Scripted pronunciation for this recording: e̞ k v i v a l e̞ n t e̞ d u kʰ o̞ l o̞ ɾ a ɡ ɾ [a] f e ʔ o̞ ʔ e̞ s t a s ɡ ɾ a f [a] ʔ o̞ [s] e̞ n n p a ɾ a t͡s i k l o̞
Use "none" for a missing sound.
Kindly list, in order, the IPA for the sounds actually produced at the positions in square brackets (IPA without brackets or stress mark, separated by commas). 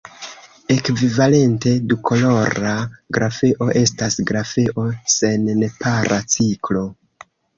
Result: a, e, s